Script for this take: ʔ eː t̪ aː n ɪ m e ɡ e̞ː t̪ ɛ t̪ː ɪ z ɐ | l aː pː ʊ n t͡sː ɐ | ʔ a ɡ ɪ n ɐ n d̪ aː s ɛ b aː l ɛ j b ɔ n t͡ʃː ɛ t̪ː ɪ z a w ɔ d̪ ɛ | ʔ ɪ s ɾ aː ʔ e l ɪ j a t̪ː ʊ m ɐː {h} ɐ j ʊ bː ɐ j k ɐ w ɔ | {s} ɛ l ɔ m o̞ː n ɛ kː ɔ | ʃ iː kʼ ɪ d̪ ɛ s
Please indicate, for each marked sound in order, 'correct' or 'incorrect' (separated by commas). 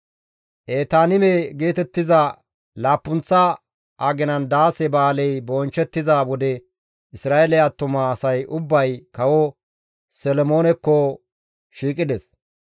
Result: incorrect, correct